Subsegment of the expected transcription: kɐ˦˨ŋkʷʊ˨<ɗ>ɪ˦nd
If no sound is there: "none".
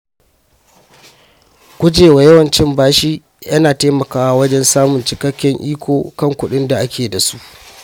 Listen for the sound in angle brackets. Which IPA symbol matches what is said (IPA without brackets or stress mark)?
ɗ